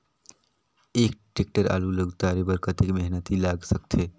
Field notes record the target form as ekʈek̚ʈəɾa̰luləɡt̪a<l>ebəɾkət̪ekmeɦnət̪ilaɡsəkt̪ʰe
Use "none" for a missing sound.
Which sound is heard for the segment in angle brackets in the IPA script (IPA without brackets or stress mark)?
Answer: ɾ